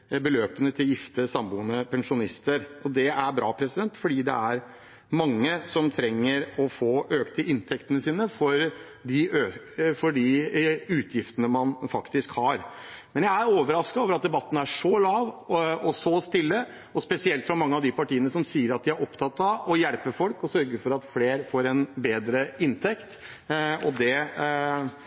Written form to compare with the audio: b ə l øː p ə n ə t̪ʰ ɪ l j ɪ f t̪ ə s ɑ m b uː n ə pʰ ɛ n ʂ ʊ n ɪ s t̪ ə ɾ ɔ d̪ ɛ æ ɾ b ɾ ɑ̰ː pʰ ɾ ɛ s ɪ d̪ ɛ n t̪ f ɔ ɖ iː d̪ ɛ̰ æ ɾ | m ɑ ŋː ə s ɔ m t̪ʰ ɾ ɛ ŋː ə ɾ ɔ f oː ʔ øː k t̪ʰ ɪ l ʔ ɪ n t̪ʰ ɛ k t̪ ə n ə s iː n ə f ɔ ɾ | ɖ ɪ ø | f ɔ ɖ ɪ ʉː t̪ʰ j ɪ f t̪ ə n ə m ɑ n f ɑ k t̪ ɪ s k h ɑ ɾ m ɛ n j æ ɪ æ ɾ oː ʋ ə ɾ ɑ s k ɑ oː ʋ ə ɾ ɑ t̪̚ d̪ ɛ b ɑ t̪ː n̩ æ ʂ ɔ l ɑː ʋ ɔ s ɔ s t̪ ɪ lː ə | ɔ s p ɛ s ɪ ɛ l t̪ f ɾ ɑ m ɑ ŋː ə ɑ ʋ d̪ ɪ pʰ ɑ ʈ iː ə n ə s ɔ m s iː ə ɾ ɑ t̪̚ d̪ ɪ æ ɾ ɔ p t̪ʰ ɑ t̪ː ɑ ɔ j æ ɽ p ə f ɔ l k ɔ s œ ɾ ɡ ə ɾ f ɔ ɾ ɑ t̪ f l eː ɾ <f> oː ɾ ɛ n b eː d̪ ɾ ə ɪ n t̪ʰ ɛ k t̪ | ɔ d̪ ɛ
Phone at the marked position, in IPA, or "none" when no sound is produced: f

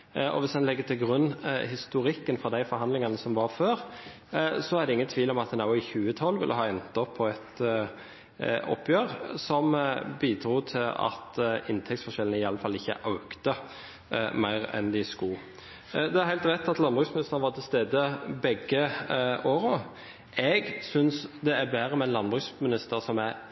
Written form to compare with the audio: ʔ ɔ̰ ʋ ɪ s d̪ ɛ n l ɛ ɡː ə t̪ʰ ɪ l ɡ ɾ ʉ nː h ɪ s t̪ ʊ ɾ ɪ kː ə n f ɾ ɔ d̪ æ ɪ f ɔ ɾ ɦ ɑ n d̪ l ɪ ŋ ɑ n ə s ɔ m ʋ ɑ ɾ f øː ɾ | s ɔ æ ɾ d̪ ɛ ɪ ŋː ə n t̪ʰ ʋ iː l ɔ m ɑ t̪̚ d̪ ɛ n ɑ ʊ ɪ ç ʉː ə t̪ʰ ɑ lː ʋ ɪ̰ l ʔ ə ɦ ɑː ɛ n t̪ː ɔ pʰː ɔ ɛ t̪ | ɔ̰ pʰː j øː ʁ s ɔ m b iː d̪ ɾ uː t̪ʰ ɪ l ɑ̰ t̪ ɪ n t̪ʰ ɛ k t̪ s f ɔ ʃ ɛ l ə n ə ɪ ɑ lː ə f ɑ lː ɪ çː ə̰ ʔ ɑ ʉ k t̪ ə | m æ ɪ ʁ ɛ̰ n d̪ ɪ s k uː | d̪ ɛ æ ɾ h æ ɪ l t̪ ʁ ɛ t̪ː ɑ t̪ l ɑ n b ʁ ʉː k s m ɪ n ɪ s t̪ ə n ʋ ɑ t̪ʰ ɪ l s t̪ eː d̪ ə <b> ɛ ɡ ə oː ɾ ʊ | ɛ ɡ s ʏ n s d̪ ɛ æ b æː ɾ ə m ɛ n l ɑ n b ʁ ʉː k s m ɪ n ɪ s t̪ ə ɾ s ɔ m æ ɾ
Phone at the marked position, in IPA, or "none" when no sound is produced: b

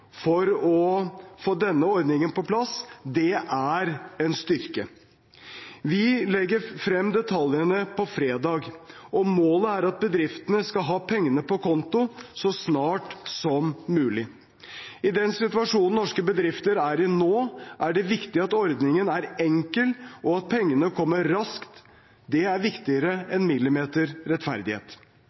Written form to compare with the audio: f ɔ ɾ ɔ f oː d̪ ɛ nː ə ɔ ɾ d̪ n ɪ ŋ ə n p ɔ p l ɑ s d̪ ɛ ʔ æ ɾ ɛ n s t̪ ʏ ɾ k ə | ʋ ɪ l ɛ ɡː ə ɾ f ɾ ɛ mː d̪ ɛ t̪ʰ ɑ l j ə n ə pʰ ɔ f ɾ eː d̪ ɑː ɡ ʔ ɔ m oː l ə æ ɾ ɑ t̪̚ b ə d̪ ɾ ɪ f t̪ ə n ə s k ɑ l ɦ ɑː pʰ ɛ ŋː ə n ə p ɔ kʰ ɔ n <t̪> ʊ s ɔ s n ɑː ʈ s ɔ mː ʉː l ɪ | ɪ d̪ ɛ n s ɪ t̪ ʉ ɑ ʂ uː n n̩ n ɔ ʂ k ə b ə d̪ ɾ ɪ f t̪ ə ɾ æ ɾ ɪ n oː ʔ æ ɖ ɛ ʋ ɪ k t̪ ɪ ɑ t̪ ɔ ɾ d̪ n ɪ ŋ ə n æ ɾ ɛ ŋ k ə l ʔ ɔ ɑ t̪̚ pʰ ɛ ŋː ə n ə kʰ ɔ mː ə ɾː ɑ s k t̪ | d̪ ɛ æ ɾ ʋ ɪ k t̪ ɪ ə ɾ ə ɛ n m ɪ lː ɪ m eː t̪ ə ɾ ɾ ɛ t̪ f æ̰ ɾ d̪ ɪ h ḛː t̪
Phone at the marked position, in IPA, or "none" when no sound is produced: t̪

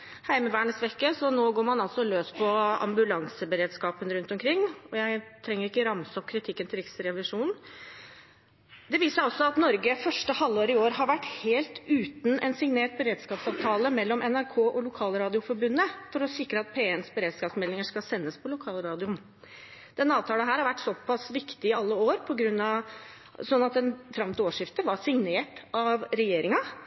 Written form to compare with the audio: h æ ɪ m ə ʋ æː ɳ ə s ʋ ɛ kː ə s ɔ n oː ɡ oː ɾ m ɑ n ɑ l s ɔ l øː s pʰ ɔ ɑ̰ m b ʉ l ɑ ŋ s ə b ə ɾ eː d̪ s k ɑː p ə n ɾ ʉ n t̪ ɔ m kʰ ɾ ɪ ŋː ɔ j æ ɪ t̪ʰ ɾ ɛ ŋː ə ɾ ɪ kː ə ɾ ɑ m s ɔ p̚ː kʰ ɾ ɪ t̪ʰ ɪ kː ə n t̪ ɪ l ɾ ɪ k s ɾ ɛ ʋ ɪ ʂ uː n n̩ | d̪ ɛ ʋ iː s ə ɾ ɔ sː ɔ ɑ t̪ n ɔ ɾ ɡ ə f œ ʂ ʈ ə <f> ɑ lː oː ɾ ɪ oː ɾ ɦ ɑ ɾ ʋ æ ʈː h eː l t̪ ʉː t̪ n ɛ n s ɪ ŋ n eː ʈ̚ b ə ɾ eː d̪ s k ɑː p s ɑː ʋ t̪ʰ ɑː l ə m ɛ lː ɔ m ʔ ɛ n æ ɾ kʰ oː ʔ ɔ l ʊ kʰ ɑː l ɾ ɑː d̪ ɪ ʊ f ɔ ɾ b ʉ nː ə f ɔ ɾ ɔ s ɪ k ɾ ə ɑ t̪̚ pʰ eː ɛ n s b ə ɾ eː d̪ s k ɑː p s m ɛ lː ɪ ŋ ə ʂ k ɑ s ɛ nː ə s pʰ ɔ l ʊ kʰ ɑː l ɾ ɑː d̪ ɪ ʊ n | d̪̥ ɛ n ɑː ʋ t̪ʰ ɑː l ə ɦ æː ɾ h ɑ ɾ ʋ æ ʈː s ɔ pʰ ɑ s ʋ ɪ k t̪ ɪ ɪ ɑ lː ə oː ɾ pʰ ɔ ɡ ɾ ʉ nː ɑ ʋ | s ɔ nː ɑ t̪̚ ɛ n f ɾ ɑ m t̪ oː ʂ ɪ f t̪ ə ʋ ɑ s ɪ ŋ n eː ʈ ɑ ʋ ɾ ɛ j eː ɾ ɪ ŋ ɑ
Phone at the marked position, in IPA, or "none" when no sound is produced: h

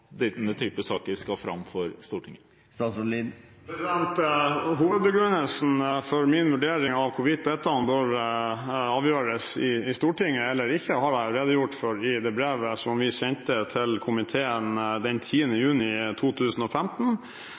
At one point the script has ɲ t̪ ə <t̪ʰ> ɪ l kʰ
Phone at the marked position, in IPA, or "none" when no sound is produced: t̪ʰ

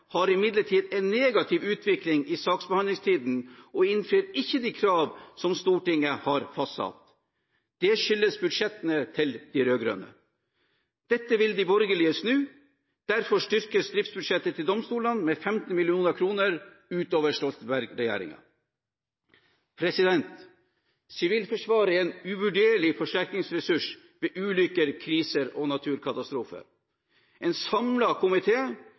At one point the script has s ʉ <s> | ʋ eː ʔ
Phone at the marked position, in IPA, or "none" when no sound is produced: ʂ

